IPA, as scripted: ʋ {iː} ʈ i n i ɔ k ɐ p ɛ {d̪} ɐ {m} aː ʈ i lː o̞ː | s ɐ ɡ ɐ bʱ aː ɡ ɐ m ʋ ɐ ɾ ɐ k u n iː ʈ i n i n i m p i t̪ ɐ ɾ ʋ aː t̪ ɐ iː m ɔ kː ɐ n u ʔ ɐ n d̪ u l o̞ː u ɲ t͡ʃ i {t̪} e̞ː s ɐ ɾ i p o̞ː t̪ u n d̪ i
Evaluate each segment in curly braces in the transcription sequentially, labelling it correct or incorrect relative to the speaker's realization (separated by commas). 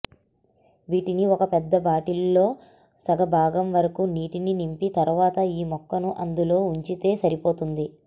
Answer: correct, incorrect, incorrect, correct